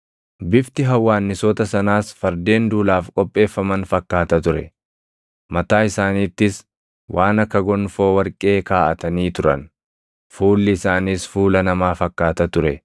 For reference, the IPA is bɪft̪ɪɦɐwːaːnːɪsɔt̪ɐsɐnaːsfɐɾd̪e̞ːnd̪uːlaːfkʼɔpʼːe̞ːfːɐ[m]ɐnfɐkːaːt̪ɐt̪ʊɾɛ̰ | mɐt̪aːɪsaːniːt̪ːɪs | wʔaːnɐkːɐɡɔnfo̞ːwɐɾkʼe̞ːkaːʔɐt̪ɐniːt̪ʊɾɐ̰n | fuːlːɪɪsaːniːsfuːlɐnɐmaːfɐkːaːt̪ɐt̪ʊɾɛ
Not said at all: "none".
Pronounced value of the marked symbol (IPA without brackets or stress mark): m